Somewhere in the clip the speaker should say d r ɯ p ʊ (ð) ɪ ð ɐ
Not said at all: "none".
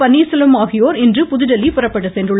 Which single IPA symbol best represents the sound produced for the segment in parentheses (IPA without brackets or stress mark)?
ð